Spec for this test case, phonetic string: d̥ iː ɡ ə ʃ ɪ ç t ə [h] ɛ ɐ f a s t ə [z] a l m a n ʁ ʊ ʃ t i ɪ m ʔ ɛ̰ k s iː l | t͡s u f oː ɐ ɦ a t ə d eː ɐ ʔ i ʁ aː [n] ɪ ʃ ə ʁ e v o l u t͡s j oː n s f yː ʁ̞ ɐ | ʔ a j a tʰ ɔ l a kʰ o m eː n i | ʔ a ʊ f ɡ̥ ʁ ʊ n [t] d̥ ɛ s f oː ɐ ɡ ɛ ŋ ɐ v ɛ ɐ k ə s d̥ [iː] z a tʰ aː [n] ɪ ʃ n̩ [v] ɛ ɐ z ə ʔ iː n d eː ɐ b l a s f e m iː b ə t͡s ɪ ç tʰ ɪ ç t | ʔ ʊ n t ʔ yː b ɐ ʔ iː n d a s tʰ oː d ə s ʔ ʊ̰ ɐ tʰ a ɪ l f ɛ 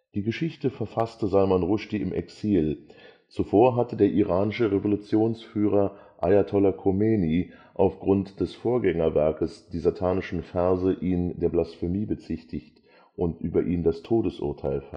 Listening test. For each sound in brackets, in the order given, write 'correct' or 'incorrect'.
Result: incorrect, correct, correct, correct, correct, correct, incorrect

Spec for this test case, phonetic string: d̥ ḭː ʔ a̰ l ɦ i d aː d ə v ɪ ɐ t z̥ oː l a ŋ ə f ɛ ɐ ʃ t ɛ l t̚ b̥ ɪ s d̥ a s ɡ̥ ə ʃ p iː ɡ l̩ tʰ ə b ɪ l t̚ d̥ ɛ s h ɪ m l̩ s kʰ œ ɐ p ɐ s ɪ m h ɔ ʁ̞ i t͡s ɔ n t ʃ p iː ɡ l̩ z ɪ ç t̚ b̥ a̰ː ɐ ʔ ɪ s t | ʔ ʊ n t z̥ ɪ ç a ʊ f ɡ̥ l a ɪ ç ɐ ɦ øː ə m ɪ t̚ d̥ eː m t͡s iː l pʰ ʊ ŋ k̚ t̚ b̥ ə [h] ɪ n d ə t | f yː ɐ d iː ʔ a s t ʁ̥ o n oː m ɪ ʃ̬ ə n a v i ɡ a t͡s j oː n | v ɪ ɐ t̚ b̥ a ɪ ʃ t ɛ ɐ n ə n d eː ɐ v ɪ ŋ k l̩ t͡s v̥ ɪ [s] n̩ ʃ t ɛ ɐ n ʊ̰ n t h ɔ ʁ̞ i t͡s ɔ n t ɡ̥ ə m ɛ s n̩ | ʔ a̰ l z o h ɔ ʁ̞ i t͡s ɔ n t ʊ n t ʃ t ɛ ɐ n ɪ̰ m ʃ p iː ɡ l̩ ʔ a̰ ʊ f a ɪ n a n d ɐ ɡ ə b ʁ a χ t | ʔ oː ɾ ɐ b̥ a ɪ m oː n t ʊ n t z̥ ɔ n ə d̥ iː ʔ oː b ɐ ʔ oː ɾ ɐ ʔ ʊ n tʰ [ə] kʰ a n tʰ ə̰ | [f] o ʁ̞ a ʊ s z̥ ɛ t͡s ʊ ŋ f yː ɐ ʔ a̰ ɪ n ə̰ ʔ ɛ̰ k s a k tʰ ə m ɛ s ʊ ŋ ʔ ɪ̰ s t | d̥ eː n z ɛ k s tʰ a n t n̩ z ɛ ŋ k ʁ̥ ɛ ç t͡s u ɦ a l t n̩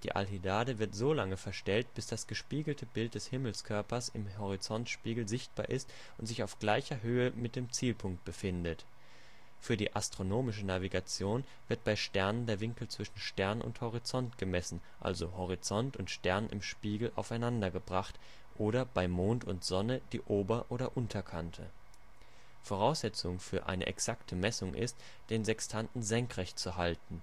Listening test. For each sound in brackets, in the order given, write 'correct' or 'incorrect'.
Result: incorrect, incorrect, incorrect, correct

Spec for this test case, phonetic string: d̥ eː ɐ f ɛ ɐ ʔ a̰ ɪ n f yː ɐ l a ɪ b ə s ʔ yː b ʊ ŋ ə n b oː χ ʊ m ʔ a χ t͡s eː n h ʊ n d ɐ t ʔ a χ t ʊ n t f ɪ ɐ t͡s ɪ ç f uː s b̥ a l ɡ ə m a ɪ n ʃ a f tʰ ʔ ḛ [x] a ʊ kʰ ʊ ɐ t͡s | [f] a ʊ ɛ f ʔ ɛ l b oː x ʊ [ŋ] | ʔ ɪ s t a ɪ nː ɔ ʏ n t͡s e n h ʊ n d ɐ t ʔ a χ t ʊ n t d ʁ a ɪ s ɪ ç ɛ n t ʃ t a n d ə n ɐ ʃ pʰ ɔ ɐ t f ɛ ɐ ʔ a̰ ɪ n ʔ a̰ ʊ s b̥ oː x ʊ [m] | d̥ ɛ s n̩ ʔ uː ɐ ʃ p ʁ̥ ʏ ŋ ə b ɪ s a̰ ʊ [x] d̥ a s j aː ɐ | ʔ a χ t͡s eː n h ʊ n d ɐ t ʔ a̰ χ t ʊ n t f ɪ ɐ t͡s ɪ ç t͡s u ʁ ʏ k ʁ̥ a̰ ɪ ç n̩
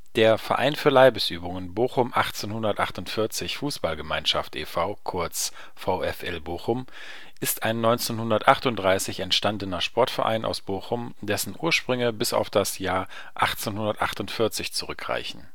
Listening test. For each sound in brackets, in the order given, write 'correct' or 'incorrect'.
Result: incorrect, correct, incorrect, correct, incorrect

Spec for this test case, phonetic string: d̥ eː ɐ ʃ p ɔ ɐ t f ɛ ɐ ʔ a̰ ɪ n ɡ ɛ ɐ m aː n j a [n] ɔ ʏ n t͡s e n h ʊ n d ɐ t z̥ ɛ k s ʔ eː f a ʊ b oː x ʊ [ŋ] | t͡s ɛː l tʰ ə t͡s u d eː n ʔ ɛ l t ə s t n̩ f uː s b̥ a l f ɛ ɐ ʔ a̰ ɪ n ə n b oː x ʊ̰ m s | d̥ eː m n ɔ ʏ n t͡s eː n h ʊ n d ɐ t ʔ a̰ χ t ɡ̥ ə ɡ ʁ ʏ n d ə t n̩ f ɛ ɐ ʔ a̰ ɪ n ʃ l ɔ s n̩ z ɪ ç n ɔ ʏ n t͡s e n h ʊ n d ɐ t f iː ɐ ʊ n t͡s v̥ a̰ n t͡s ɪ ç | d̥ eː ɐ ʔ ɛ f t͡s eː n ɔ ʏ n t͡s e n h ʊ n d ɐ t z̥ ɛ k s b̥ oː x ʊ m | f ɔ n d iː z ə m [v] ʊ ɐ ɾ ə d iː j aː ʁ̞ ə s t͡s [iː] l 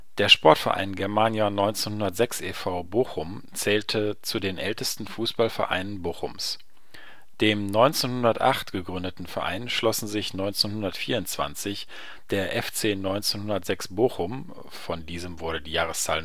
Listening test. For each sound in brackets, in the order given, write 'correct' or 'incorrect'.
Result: correct, incorrect, correct, incorrect

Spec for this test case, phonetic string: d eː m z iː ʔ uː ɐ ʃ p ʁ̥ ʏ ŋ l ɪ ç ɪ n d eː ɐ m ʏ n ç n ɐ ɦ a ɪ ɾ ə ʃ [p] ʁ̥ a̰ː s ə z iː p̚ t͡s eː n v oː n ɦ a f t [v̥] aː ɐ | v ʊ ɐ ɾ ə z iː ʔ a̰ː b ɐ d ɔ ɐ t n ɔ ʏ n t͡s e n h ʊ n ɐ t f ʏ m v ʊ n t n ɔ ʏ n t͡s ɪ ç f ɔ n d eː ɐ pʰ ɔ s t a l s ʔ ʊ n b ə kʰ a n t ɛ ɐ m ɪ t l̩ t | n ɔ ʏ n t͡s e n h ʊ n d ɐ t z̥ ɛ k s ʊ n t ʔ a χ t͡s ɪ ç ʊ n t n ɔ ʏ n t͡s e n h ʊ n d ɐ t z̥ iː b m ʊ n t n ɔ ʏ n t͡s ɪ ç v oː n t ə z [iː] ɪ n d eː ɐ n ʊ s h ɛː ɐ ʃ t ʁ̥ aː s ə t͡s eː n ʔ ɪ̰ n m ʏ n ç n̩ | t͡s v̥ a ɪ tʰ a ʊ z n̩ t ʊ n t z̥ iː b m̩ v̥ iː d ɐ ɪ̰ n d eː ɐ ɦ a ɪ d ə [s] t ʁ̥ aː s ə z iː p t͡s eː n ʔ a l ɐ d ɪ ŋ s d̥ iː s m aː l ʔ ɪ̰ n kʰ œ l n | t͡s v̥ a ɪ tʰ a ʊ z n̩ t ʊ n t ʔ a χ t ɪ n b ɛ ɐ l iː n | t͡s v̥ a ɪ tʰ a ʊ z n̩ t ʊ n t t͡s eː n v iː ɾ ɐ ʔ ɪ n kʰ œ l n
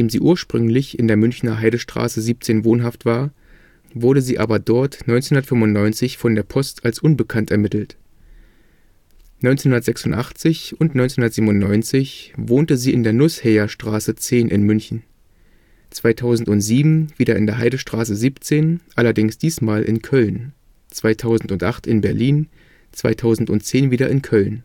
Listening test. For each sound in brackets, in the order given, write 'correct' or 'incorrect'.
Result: incorrect, correct, correct, incorrect

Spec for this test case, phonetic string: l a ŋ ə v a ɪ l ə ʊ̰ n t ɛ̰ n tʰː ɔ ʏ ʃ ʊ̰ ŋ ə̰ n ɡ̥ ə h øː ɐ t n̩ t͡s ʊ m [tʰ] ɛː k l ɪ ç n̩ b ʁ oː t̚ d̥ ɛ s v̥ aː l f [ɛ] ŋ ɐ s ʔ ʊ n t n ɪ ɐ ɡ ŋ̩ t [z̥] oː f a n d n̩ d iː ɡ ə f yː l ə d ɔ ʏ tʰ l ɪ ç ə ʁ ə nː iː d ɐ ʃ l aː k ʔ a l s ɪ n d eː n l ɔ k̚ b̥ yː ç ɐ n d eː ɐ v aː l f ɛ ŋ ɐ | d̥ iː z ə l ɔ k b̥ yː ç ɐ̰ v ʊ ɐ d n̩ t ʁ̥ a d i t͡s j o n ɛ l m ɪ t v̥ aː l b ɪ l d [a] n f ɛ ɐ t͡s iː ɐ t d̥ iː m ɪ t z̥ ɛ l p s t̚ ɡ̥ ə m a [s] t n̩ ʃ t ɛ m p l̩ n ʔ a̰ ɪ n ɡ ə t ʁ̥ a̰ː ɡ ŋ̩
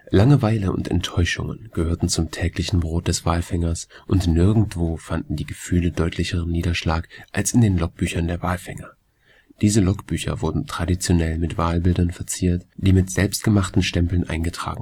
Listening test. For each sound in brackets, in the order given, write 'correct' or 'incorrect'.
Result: correct, correct, incorrect, incorrect, incorrect

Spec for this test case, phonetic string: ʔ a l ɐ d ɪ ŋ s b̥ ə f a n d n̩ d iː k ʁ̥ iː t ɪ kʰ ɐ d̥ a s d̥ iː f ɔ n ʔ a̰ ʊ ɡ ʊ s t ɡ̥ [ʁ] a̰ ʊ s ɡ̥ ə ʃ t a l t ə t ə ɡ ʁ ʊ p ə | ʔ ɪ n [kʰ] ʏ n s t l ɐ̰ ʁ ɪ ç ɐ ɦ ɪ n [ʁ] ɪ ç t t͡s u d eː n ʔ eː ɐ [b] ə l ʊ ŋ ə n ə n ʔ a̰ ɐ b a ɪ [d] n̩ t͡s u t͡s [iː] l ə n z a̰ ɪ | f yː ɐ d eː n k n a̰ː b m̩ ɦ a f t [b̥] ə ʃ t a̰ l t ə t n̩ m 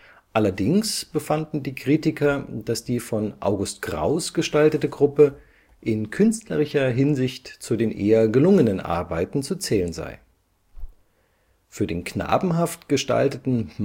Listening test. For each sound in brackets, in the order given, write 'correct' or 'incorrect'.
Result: correct, correct, incorrect, incorrect, incorrect, incorrect, incorrect

